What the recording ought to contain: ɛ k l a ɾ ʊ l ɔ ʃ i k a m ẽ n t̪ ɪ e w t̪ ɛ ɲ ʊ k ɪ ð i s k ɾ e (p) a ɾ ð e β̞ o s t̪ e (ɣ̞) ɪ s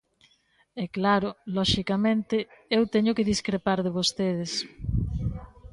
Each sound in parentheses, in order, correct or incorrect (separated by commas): correct, incorrect